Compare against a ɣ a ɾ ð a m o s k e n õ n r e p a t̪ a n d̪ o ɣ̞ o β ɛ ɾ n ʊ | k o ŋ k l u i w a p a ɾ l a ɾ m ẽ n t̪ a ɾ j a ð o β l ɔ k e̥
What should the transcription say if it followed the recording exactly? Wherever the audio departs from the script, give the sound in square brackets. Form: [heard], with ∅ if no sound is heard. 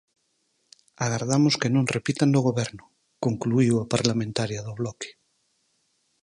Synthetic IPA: a ɣ a ɾ ð a m o s k e n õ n r e p [i] t̪ a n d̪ o ɣ̞ o β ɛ ɾ n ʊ | k o ŋ k l u i w a p a ɾ l a [∅] m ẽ n t̪ a ɾ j a ð o β l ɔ k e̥